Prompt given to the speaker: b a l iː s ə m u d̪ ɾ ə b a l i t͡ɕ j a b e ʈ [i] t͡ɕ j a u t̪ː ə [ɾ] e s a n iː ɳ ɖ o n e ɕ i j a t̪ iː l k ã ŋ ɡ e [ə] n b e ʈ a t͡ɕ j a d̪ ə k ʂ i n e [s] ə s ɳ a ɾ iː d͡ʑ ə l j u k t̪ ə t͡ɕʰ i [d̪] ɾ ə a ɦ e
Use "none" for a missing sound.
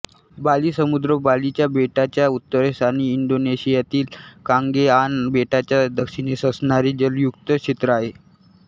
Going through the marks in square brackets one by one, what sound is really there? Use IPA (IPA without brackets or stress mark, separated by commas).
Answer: a, ɾ, a, s, t̪